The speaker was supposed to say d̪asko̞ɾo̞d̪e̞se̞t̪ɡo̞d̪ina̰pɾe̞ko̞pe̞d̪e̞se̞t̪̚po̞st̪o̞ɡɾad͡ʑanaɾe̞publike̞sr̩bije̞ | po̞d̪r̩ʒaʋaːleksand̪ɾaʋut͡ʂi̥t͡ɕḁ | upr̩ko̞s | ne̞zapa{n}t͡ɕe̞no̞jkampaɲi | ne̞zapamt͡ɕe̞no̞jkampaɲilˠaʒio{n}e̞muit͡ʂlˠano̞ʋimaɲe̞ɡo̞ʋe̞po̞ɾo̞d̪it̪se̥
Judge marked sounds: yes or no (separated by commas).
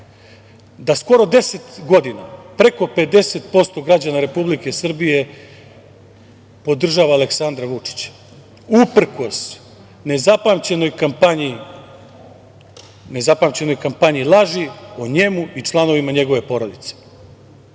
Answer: no, no